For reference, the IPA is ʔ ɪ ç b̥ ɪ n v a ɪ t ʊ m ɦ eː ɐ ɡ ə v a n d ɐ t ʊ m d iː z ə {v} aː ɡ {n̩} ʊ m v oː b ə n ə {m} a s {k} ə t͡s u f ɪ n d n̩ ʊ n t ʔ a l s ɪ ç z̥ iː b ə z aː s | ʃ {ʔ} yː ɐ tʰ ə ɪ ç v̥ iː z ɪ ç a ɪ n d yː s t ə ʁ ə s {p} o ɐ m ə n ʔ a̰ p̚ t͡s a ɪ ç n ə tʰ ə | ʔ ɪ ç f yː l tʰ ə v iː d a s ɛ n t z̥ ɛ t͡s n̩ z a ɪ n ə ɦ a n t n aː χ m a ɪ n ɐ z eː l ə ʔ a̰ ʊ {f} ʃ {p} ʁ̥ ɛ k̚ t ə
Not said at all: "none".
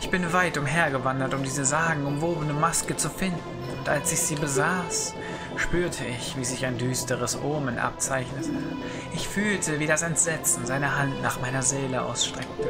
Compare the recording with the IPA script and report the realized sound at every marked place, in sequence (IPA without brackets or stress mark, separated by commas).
z, ŋ̩, m, k, p, ʔ, s, t